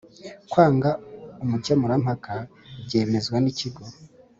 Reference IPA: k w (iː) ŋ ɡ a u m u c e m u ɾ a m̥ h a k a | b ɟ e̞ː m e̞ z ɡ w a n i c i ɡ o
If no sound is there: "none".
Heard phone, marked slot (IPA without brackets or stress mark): aː